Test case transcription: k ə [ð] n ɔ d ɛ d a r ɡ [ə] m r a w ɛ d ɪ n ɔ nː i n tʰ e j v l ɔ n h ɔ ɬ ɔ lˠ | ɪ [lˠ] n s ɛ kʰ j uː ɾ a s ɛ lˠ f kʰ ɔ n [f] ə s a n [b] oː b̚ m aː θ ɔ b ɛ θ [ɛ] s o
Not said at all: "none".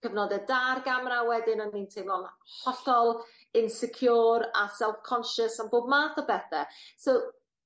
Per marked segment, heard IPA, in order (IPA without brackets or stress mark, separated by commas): v, a, none, ʃ, b, ɛ